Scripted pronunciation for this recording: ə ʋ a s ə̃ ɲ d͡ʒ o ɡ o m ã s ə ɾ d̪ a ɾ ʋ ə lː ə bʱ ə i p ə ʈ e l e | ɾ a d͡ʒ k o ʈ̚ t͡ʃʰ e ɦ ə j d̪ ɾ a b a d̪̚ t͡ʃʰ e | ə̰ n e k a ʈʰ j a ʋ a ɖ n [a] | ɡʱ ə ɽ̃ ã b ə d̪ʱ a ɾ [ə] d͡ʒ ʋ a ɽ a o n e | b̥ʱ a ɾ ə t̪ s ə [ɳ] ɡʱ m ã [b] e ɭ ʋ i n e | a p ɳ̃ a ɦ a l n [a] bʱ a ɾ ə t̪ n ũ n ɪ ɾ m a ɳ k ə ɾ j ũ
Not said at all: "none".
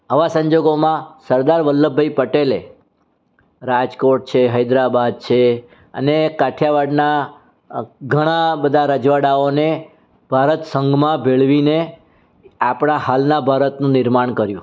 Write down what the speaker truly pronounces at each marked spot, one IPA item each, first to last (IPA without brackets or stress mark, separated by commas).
a, ə, ŋ, b, a